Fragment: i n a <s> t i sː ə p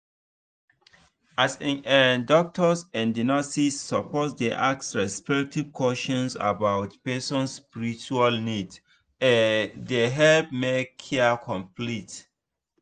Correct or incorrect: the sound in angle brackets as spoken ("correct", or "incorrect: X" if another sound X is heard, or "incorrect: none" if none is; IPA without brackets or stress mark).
correct